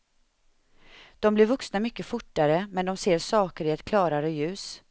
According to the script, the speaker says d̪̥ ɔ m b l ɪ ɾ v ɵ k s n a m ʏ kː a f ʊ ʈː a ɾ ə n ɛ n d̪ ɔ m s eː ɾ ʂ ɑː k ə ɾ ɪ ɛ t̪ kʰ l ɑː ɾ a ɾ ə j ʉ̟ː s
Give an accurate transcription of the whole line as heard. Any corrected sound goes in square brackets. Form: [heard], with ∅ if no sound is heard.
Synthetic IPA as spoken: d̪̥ ɔ m b l ɪ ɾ v ɵ k s n a m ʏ kː [ə] f ʊ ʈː a ɾ ə [m] ɛ n d̪ ɔ m s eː ɾ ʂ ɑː k ə ɾ ɪ ɛ t̪ kʰ l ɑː ɾ a ɾ ə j ʉ̟ː s